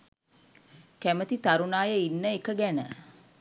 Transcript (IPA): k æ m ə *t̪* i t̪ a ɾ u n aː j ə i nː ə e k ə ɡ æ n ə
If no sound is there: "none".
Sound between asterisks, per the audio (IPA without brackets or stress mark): t̪